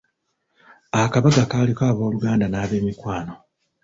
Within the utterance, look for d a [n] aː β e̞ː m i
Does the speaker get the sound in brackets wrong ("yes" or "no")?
no